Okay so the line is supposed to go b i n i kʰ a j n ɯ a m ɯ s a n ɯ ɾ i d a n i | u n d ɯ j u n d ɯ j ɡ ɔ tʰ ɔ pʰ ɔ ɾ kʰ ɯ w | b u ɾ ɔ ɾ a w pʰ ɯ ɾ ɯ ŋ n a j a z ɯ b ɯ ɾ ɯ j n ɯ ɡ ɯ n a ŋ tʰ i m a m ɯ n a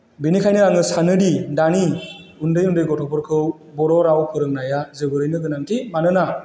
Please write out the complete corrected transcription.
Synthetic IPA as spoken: b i n i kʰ a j n ɯ a ŋ ɯ s a n ɯ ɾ i d a n i | u n d ɯ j u n d ɯ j ɡ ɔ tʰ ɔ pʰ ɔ ɾ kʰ ɯ w | b ɔ ɾ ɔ ɾ a w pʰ ɯ ɾ ɯ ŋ n a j a z ɯ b ɯ ɾ ɯ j n ɯ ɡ ɯ n a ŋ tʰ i m a n ɯ n a